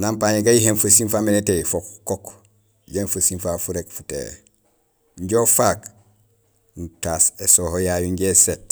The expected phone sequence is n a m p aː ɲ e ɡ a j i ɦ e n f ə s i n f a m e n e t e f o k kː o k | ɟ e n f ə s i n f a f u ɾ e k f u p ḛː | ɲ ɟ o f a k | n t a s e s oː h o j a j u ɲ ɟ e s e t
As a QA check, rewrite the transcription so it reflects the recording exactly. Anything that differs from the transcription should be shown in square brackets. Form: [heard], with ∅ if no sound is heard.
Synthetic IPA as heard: n a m p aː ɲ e ɡ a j i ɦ e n f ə s i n f a m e n e t e f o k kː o k | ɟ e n f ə s i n f a f u ɾ e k f u [t] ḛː | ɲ ɟ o f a k | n t a s e s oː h o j a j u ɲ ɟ e s e t